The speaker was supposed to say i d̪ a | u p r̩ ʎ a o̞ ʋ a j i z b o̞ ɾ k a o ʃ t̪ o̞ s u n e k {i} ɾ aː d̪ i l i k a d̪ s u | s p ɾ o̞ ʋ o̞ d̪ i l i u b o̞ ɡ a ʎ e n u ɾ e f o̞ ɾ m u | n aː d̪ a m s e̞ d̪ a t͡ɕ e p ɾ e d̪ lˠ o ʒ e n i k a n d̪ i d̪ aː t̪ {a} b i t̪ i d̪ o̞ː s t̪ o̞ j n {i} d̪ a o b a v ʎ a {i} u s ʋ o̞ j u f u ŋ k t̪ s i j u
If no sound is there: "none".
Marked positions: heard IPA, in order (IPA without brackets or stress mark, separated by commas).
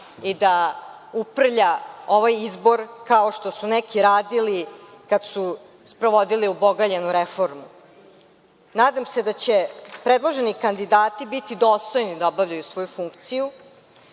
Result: i, i, i, j